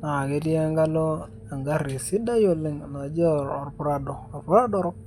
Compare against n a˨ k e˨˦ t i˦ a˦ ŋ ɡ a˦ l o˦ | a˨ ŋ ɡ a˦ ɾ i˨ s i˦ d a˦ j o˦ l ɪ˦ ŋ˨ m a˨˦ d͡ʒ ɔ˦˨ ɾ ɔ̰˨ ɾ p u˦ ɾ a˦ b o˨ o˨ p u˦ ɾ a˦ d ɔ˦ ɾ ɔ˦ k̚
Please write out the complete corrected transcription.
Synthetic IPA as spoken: n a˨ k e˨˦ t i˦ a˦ ŋ ɡ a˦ l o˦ | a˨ ŋ ɡ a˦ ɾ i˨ s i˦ d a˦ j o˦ l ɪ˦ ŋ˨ n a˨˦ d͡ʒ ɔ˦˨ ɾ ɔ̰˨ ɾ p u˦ ɾ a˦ d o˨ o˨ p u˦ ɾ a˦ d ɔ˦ ɾ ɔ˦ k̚